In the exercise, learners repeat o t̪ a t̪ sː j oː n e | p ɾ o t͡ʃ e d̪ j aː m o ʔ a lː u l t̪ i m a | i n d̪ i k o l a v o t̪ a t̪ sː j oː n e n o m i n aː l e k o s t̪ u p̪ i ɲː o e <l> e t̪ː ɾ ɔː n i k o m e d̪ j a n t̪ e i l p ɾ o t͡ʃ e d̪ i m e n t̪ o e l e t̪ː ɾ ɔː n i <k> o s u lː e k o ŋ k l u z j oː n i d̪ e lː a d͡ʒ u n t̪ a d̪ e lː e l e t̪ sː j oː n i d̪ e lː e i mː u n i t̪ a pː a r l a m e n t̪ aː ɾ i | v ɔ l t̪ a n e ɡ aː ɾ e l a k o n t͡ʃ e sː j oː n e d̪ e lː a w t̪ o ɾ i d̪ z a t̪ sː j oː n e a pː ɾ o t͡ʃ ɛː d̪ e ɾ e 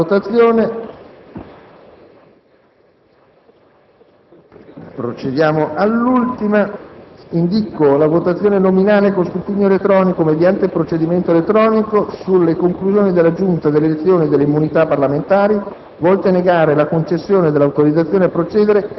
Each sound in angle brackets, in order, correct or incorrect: correct, correct

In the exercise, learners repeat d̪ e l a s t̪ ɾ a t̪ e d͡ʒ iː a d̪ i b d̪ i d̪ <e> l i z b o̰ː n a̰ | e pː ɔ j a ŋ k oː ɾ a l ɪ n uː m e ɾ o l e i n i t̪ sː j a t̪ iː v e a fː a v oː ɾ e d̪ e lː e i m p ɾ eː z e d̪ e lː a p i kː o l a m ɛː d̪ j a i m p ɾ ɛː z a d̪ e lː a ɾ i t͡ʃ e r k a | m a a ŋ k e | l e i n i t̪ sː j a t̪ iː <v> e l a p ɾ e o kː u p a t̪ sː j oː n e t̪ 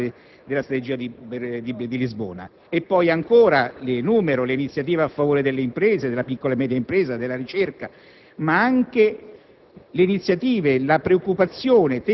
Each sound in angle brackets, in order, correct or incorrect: incorrect: i, correct

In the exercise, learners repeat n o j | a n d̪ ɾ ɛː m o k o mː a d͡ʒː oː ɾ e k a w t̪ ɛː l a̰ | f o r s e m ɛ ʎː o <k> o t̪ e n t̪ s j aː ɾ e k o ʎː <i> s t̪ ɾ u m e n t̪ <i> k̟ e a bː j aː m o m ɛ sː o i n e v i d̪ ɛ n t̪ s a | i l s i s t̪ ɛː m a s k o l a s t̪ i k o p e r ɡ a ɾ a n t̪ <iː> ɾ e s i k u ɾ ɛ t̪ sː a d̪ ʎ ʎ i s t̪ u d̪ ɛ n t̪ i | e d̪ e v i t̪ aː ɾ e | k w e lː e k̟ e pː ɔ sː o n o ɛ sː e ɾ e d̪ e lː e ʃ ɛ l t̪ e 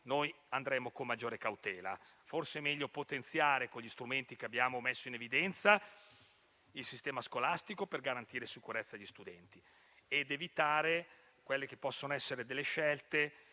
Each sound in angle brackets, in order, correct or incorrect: incorrect: p, correct, correct, correct

